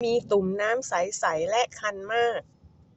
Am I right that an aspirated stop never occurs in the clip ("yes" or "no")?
no